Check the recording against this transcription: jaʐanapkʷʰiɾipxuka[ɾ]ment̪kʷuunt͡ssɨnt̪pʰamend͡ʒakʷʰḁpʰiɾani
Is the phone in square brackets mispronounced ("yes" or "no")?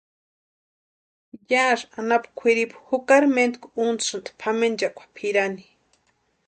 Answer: no